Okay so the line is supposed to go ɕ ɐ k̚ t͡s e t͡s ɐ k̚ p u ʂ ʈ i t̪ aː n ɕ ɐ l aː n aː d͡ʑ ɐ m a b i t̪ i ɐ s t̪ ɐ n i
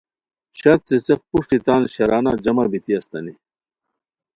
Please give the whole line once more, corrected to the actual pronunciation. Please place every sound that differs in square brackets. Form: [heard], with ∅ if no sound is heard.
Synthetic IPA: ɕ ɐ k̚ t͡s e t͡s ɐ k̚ p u ʂ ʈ i t̪ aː n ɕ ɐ [ɾ] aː n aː d͡ʑ ɐ m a b i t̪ i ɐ s t̪ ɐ n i

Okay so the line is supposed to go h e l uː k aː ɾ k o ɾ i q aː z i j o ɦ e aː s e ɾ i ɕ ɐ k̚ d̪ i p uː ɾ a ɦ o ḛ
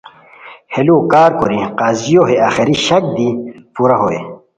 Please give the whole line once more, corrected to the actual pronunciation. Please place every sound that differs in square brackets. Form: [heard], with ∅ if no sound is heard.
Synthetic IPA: h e l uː k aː ɾ k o ɾ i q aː z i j o ɦ e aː [x] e ɾ i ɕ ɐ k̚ d̪ i p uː ɾ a ɦ o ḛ

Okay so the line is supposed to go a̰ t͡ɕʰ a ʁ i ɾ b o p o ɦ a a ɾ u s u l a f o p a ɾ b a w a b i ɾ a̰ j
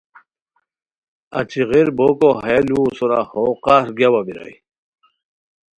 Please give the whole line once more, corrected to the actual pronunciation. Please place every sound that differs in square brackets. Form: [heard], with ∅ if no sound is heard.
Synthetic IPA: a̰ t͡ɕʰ [i] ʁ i ɾ b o [k] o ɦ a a [l] u s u [ɾ] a [h] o [q] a ɾ [ɡ] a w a b i ɾ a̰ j

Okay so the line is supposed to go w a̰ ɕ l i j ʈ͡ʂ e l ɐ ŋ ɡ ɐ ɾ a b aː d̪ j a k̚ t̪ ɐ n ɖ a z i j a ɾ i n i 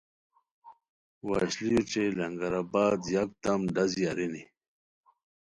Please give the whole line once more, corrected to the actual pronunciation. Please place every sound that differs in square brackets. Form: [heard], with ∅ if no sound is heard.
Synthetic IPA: w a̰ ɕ l i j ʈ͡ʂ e l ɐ ŋ ɡ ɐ ɾ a b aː d̪ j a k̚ t̪ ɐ [m] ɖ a z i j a ɾ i n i

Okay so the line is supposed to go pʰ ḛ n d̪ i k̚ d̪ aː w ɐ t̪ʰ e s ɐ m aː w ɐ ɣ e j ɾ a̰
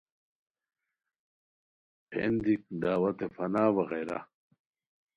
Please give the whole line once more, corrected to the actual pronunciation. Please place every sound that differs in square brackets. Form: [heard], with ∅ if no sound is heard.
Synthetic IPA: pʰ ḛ n d̪ i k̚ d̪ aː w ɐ [t̪] e [f] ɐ [n] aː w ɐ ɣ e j ɾ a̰

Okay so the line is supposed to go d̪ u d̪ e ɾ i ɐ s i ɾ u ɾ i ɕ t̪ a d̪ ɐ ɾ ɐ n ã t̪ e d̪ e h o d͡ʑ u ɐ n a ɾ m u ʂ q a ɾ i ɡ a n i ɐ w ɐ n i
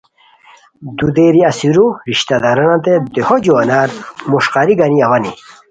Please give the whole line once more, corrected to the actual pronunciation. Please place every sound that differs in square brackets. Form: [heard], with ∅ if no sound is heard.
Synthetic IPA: d̪ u d̪ e ɾ i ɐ s i ɾ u ɾ i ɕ t̪ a d̪ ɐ ɾ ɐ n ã t̪ e d̪ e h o d͡ʑ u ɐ n a ɾ m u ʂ q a ɾ i ɡ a n i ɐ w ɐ n i

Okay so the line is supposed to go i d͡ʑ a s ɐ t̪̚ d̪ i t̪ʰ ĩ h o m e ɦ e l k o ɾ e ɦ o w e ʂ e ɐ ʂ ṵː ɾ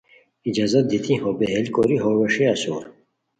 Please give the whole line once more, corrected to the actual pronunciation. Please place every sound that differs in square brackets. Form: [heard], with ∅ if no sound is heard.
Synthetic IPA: i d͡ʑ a [z] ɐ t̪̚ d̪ i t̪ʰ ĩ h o [b] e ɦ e l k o ɾ [i] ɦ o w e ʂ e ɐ [s] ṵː ɾ

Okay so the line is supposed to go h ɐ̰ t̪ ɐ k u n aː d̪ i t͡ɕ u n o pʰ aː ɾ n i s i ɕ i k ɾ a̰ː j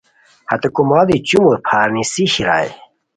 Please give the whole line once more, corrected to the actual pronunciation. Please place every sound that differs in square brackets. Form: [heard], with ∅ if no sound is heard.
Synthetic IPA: h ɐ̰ t̪ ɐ k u [m] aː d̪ i t͡ɕ u [m] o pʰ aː ɾ n i s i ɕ i [∅] ɾ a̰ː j

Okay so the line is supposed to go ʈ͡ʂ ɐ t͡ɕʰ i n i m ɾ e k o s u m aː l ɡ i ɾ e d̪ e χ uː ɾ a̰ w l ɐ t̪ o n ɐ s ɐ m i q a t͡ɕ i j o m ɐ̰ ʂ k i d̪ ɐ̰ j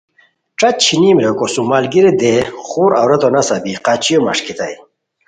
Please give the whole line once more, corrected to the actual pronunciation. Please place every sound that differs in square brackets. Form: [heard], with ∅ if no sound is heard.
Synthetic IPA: ʈ͡ʂ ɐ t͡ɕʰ i n i m ɾ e k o s u m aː l ɡ i ɾ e d̪ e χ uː ɾ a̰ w [ɾ] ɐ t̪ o n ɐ s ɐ [b] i q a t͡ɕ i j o m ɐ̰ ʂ k i [t̪] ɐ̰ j

